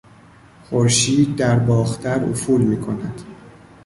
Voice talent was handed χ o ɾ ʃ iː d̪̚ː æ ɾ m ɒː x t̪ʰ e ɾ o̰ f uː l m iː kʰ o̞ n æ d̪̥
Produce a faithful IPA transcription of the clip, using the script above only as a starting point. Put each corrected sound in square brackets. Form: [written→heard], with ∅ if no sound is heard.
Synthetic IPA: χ o ɾ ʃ iː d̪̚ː æ ɾ [m→b] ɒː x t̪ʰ [e→æ] ɾ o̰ f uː l m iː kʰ o̞ n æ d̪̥